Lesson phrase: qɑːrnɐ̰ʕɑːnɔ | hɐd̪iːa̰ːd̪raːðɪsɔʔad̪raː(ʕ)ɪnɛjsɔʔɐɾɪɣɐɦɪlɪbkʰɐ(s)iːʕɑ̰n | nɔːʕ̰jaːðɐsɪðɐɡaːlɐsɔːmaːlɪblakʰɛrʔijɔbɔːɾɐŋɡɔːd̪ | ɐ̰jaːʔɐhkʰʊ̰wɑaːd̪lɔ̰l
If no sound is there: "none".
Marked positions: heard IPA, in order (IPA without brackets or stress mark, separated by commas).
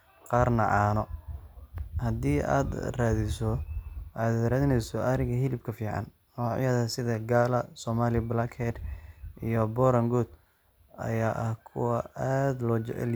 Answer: ð, f